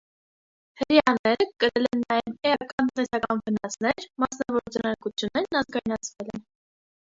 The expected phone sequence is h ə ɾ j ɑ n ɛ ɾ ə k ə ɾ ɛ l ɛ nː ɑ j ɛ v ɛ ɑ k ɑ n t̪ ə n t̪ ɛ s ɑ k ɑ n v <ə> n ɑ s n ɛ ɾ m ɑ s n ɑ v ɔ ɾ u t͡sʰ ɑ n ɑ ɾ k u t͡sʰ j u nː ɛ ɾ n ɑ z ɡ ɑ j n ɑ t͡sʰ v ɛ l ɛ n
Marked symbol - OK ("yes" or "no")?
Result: yes